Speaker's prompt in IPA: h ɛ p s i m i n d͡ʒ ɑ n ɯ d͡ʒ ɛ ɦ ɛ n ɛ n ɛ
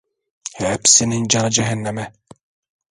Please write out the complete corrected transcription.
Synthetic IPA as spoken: h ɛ p s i n i n d͡ʒ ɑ n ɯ d͡ʒ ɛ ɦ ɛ nː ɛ m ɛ